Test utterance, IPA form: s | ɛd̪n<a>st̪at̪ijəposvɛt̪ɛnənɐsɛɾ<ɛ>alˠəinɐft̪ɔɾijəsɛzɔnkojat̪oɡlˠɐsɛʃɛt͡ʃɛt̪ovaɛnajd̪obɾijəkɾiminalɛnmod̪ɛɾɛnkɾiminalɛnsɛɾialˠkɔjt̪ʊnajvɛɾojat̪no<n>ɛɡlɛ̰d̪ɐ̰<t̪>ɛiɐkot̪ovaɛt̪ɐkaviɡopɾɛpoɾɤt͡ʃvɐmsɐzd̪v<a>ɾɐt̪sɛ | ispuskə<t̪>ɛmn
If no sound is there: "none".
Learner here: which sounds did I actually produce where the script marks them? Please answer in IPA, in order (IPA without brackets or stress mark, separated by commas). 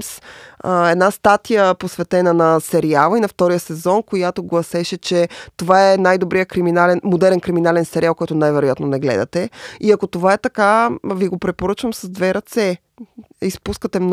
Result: a, i, n, t̪, ɛ, t̪